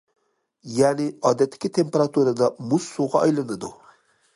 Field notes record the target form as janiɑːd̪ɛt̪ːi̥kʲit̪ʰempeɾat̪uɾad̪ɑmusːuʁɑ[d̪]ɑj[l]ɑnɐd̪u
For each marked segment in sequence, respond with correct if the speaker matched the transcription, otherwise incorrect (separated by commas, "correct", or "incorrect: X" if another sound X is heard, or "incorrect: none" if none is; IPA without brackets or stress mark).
incorrect: none, correct